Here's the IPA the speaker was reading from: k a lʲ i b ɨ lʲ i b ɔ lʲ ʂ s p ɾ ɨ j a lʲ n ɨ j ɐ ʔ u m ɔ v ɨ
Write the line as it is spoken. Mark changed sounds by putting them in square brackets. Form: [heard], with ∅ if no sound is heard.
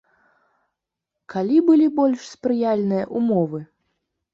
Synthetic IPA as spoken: k a lʲ i b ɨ lʲ i b ɔ lʲ ʂ s p ɾ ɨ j a lʲ n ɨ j ɐ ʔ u m ɔ v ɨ